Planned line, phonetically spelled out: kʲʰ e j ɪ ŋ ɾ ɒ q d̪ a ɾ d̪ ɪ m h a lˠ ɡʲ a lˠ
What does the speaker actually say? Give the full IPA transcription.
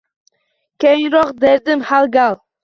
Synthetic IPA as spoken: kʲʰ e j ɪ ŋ ɾ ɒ q d̪ e ɾ d̪ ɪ m h a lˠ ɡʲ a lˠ